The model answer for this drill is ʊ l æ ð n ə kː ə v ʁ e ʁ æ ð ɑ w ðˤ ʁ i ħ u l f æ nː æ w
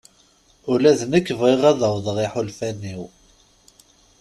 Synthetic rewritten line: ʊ l æ ð n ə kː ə v ʁ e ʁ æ ð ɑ w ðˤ ʁ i ħ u l f æ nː i w

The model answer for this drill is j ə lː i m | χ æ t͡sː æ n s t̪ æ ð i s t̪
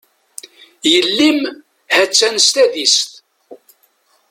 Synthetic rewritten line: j ə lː i m | h æ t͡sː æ n s t̪ æ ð i s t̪

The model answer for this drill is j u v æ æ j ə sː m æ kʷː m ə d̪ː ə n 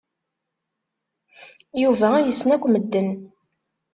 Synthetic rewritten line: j u v æ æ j ə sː n æ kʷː m ə d̪ː ə n

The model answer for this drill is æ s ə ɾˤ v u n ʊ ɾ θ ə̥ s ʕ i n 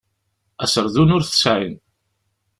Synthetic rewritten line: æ s ə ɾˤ ð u n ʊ ɾ θ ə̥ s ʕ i n

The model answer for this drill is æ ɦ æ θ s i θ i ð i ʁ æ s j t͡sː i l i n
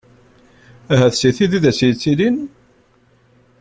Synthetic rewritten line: æ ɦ æ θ s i θ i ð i ð æ s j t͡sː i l i n

